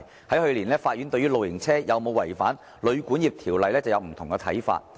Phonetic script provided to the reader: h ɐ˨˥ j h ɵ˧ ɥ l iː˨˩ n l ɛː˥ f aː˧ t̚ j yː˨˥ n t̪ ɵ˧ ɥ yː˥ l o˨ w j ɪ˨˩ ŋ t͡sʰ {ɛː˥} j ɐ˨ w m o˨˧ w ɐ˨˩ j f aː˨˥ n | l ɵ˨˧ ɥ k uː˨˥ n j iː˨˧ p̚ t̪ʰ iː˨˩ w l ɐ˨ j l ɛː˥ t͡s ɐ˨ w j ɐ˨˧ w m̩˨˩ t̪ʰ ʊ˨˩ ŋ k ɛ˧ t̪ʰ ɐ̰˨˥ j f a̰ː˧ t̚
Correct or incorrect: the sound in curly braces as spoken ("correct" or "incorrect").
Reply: correct